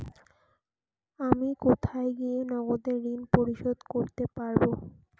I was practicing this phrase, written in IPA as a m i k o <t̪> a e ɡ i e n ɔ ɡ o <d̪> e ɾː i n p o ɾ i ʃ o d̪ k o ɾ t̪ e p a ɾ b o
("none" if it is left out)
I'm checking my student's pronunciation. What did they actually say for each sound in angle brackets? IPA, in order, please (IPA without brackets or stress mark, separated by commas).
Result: t̪ʰ, d̪